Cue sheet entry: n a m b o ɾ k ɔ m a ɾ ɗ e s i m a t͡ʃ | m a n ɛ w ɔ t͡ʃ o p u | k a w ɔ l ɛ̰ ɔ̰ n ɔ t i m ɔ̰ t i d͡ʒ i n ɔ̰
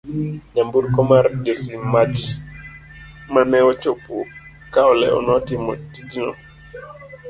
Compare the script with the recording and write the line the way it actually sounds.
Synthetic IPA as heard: ɲ a m b u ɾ k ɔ m a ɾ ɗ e s i m a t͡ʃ | m a n ɛ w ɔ t͡ʃ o p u | k a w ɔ l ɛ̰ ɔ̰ n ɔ t i m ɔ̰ t i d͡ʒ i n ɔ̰